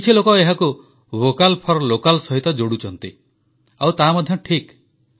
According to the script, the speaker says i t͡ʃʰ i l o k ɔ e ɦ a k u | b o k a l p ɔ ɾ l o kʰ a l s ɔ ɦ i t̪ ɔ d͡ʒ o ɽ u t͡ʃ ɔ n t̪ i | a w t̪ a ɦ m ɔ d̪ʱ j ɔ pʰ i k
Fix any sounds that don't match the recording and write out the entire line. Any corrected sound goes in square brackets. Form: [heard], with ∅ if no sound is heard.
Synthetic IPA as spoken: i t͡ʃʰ i l o k ɔ e ɦ a k u | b o k a l [pʰ] ɔ ɾ l o [k] a l s ɔ ɦ i t̪ ɔ d͡ʒ o ɽ u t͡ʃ ɔ n t̪ i | a w t̪ a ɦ m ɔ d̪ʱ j ɔ [ʈʰ] i k